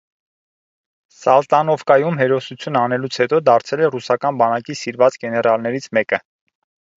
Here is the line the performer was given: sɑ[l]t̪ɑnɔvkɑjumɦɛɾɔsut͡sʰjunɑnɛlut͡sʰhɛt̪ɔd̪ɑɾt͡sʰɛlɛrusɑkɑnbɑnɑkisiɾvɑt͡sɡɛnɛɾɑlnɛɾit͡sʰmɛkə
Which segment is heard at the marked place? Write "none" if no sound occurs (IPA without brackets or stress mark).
l